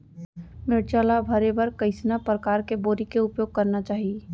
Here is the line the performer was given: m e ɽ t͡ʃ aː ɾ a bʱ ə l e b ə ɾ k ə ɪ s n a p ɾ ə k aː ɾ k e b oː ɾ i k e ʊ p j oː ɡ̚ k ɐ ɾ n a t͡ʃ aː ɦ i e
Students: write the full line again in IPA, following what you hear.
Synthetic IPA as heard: m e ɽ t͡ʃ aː l a bʱ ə ɾ e b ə ɾ k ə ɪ s n a p ɾ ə k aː ɾ k e b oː ɾ i k e ʊ p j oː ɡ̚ k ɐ ɾ n a t͡ʃ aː ɦ i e